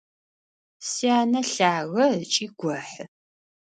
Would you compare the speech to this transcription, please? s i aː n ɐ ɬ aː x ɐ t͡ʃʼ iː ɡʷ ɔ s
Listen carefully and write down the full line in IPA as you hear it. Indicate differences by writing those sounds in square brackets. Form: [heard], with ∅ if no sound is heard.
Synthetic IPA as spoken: s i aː n ɐ ɬ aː [ɣ] ɐ t͡ʃʼ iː ɡʷ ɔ [ħ]